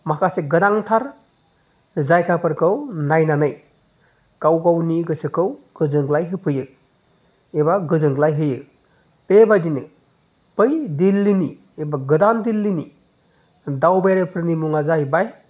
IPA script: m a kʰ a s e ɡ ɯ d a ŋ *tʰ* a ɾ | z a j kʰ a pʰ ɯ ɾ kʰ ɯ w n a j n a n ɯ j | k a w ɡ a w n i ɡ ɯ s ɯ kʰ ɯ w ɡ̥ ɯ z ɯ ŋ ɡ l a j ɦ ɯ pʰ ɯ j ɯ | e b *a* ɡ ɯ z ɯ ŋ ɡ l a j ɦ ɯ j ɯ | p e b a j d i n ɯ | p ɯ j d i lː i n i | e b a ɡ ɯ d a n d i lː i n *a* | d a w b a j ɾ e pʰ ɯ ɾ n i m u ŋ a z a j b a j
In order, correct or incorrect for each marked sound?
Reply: correct, correct, incorrect

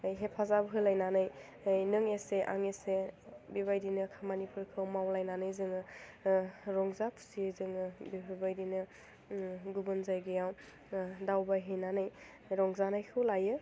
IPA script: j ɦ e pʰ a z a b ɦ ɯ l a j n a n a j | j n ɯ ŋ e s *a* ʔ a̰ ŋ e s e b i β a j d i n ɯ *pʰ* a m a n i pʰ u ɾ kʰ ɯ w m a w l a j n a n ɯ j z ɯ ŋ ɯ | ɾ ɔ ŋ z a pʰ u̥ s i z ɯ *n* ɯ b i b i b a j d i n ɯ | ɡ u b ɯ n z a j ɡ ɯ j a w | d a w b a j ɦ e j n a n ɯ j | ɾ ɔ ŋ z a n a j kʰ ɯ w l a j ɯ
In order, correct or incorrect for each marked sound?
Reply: incorrect, incorrect, incorrect

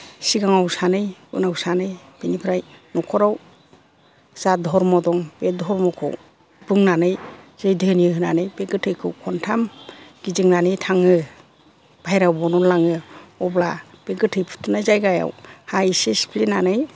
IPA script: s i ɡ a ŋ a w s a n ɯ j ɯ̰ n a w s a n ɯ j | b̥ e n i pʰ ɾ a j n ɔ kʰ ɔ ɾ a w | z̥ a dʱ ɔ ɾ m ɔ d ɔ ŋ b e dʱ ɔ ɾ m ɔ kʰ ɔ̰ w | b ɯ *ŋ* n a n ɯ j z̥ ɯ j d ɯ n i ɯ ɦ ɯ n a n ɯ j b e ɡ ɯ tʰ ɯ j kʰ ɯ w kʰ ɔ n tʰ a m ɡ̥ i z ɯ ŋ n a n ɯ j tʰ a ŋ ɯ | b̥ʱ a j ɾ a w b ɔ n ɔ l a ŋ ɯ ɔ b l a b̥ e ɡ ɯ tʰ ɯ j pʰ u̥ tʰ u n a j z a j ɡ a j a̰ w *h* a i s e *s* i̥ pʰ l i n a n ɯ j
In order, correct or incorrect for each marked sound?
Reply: correct, correct, correct

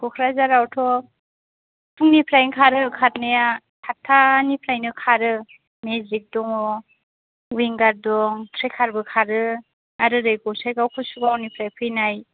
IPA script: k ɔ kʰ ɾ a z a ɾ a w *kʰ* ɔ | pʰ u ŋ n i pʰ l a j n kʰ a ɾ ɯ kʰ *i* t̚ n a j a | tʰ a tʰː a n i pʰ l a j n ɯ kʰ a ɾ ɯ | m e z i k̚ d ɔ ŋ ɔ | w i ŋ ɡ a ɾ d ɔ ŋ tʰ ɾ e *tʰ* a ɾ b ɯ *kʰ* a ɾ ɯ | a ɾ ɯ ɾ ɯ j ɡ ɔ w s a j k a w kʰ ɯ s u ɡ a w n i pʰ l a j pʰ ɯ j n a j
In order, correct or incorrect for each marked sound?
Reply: incorrect, incorrect, incorrect, correct

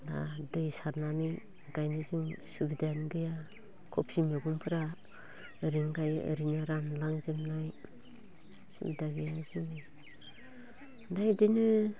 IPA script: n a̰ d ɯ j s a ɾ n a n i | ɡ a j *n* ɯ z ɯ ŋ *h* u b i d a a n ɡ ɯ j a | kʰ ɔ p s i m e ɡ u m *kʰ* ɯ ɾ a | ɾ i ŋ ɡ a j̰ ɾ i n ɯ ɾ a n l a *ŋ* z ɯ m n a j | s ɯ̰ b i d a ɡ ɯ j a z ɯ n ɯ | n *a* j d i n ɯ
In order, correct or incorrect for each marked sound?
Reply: correct, incorrect, incorrect, correct, correct

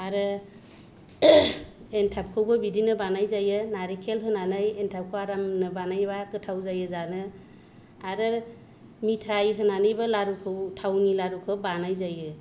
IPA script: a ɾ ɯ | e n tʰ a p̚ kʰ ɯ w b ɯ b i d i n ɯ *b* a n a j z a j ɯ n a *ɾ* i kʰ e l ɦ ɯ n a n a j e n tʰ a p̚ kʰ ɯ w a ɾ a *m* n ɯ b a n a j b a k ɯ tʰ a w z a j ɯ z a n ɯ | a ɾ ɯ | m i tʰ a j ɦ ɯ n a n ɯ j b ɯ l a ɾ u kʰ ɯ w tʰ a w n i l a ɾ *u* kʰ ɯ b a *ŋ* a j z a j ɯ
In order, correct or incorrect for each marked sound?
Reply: correct, correct, correct, correct, incorrect

